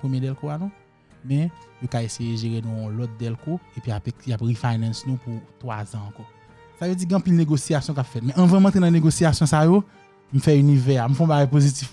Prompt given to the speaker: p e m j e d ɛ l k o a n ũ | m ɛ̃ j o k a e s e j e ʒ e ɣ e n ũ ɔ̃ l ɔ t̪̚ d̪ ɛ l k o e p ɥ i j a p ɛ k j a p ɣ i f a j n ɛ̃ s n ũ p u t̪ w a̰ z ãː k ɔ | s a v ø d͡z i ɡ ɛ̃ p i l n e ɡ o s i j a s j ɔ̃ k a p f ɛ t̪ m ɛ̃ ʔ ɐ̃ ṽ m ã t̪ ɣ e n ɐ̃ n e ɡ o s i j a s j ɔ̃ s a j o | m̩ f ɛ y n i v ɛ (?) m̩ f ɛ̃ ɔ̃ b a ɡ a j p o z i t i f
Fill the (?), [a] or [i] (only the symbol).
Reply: a